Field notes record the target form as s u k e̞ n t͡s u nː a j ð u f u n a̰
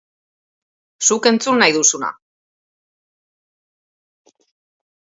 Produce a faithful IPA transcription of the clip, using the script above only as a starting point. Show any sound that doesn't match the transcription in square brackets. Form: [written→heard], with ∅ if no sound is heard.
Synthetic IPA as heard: s u k e̞ n t͡s u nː a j ð u [f→s] u n a̰